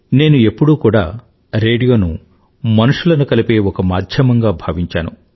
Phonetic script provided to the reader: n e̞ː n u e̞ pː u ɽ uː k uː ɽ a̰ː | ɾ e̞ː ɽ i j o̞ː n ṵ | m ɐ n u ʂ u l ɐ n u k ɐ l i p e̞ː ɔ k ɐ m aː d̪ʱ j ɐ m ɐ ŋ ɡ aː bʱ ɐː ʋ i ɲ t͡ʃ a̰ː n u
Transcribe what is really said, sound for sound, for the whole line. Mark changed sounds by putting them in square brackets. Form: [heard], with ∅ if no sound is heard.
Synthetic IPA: n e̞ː n u e̞ pː u ɽ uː k uː ɽ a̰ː | ɾ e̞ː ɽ i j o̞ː n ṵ | m ɐ n u ʂ u l ɐ n u k ɐ l i p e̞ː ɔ k ɐ m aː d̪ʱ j ɐ m ɐ ŋ ɡ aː bʱ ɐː ʋ i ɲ t͡ʃ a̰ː n u